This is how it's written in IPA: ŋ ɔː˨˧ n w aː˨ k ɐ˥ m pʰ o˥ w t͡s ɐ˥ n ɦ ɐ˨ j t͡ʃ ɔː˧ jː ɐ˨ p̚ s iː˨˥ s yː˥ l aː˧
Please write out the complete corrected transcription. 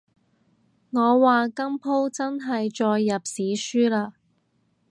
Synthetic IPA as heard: ŋ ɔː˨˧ w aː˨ k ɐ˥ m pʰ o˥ w t͡s ɐ˥ n ɦ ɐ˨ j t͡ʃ ɔː˧ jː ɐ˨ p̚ s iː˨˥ s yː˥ l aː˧